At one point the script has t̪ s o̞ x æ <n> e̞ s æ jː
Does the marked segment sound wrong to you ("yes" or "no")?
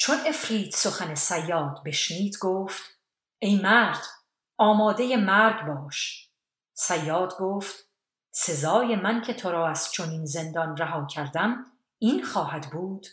no